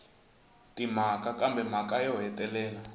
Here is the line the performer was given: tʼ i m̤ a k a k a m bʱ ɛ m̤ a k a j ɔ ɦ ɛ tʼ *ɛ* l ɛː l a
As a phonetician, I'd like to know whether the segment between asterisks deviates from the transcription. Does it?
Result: no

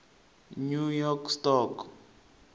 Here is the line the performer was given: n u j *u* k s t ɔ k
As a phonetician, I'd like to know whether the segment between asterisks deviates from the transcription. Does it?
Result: yes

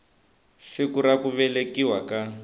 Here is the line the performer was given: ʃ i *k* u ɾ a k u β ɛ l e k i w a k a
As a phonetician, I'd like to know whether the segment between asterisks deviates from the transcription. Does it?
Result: no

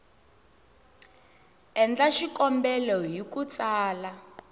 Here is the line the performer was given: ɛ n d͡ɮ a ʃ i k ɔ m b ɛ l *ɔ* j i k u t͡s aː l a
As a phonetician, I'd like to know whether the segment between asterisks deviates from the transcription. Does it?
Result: no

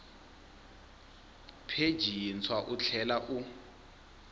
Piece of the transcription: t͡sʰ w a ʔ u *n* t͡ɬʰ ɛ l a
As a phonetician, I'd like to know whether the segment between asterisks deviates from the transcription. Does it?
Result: yes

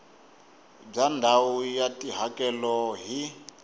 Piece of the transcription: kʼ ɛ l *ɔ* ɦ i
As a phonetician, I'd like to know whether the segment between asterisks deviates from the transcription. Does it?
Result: no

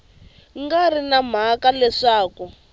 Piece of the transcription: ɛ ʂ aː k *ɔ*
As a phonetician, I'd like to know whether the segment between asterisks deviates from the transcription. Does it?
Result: yes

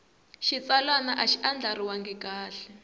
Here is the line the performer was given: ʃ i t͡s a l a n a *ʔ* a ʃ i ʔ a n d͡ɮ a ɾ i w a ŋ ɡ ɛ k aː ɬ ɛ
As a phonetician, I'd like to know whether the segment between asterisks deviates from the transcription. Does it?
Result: no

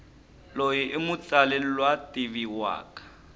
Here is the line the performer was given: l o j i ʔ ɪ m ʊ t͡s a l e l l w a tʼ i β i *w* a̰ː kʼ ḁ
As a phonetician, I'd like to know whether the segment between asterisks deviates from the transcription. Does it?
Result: no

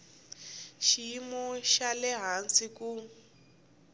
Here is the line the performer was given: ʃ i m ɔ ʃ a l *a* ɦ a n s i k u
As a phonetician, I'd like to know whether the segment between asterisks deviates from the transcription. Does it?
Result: yes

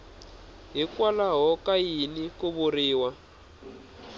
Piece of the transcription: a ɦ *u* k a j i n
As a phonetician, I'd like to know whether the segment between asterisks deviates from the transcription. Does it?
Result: yes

